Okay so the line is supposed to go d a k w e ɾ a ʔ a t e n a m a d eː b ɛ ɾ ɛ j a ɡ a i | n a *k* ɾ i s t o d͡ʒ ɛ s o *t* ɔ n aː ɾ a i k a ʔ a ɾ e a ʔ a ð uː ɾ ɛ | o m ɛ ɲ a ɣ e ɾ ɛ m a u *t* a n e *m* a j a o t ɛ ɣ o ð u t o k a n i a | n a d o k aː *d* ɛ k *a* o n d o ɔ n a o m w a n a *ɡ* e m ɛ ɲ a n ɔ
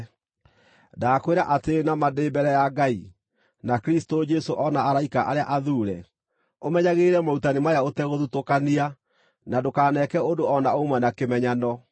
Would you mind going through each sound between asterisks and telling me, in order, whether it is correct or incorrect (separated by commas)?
correct, incorrect, correct, correct, incorrect, incorrect, incorrect